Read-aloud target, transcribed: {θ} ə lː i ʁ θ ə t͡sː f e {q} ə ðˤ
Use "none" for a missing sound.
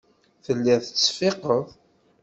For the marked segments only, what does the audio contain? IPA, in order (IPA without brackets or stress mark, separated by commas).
θ, q